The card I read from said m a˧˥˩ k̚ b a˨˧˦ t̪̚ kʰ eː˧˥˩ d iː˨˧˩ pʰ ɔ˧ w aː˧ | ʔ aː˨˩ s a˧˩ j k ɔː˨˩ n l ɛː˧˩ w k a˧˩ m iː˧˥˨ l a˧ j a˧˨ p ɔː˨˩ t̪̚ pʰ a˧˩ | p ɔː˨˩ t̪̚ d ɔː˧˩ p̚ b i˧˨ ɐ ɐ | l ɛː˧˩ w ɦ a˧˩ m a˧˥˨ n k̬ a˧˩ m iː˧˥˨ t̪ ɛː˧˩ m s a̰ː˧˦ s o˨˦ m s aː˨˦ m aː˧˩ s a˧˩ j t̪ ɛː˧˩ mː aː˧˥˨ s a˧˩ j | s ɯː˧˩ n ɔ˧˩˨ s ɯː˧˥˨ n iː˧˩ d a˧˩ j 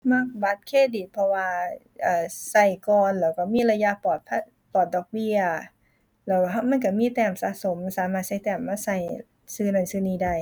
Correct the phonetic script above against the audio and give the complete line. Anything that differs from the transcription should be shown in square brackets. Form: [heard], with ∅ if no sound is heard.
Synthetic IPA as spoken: m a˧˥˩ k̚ b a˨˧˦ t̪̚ kʰ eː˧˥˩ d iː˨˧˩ pʰ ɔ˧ w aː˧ | ʔ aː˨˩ s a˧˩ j k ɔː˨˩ n l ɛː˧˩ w k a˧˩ m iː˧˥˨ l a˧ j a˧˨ p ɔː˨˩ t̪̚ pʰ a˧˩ | p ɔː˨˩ t̪̚ d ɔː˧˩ [k̚] b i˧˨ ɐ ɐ | l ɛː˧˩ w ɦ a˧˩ m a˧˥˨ n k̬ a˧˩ m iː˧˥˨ t̪ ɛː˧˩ m s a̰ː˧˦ s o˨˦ m s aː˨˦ m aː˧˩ s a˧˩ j t̪ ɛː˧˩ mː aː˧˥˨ s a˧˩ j | s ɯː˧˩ n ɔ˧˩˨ s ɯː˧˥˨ n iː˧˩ d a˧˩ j